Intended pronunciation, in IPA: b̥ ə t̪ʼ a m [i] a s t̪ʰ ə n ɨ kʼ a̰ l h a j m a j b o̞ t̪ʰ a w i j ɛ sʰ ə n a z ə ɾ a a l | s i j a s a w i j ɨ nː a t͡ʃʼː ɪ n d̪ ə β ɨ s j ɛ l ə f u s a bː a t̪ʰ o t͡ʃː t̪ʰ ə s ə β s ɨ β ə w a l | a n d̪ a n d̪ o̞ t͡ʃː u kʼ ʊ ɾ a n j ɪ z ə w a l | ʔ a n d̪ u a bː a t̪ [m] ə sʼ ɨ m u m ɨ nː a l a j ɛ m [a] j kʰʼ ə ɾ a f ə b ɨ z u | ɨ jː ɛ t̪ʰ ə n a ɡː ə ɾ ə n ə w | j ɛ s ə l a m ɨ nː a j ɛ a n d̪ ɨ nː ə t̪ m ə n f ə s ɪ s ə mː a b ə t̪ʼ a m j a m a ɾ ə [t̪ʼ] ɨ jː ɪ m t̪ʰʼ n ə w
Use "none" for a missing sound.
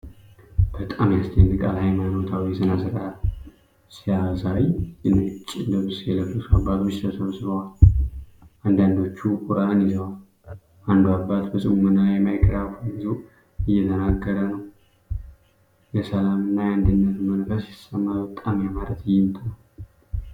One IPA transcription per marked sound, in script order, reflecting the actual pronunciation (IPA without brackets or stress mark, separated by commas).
j, b, a, t̪